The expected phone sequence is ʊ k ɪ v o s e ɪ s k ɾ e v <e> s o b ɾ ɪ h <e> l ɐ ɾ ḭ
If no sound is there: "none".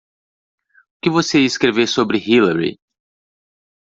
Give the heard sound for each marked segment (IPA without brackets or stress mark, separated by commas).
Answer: e, i